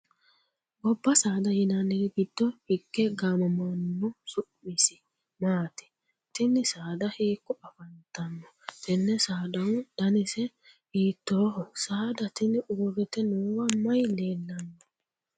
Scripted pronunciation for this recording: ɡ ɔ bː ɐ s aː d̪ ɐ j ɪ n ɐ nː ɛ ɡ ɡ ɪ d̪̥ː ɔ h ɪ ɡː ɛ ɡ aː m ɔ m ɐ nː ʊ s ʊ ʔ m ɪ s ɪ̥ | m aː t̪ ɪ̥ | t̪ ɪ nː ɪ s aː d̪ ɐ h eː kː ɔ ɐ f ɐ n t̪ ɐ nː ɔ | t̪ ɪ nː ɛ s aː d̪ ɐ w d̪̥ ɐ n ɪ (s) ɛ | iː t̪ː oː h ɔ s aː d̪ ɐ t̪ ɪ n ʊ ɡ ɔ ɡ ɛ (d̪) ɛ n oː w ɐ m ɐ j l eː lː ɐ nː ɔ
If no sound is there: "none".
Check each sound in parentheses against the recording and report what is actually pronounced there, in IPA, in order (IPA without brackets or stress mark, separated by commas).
s, t̪